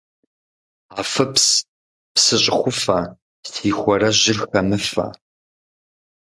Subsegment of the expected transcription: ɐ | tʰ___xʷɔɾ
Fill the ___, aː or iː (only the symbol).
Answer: iː